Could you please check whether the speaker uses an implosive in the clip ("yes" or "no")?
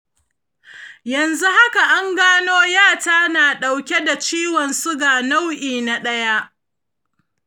yes